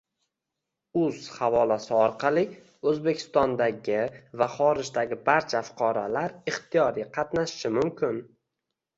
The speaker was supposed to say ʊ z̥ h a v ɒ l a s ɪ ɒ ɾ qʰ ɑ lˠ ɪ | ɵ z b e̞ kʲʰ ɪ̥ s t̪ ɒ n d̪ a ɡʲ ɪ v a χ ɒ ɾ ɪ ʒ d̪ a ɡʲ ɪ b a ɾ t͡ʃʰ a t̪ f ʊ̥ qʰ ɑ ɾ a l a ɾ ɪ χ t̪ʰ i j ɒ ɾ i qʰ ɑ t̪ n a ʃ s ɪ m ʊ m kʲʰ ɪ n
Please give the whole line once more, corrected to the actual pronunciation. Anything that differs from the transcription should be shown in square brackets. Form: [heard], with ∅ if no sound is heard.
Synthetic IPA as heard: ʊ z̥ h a v ɒ l a s ɪ ɒ ɾ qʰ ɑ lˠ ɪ | ɵ z b e̞ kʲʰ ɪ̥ s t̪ ɒ n d̪ a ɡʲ ɪ v a χ ɒ ɾ ɪ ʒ d̪ a ɡʲ ɪ b a ɾ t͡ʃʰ a [∅] f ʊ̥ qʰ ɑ ɾ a l a ɾ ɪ χ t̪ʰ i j ɒ ɾ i qʰ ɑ t̪ n a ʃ [ʃ] ɪ m ʊ m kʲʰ ɪ n